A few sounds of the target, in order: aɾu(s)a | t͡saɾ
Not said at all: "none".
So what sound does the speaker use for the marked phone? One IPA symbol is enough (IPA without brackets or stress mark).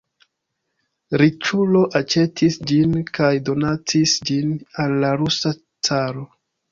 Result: s